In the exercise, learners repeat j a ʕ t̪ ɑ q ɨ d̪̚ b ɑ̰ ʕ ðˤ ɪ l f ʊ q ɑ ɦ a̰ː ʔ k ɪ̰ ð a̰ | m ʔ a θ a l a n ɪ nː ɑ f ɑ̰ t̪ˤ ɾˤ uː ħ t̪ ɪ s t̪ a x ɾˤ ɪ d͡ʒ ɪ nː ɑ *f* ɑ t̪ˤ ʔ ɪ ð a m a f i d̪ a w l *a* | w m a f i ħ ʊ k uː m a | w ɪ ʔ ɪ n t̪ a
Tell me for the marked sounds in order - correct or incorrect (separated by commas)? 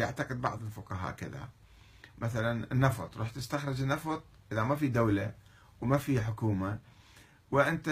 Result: correct, correct